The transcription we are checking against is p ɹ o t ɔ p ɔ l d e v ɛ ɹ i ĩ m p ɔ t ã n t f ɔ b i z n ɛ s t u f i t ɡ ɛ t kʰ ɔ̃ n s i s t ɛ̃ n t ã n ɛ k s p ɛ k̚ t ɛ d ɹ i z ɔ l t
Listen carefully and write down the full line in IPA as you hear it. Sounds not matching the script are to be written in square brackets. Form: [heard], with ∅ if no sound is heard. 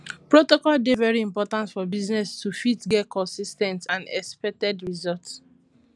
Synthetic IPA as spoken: p ɹ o t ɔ [k] ɔ l d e v ɛ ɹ i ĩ m p ɔ t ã n t f ɔ b i z n ɛ s t u f i t ɡ ɛ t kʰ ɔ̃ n s i s t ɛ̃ n t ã n ɛ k s p ɛ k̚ t ɛ d ɹ i z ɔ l t